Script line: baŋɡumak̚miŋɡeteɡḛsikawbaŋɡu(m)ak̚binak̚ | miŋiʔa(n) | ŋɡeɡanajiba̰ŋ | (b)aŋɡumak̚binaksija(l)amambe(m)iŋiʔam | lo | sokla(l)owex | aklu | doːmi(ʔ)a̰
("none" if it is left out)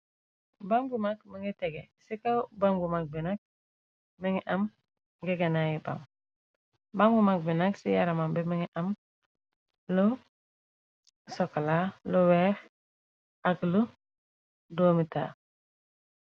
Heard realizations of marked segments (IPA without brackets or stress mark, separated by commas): m, m, b, ɾ, m, l, t